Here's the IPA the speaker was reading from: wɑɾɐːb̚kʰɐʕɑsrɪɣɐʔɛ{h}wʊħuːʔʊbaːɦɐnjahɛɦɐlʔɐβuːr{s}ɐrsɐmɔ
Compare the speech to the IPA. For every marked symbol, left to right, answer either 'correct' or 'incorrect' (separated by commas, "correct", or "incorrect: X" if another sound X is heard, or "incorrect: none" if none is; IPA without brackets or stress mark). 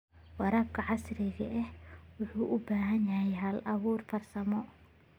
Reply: correct, incorrect: f